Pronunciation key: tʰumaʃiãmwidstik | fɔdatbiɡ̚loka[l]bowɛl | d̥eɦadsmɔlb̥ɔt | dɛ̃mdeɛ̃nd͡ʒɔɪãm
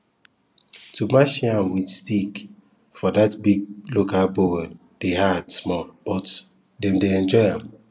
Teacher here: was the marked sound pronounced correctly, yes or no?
yes